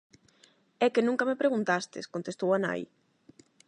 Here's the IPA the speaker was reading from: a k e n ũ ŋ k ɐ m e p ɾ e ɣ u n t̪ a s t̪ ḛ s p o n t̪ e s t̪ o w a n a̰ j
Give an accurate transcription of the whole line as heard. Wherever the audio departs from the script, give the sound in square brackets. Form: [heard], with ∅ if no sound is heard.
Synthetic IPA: [ɛ] k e n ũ ŋ k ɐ m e p ɾ e ɣ u n t̪ a s t̪ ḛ s [k] o n t̪ e s t̪ o w a n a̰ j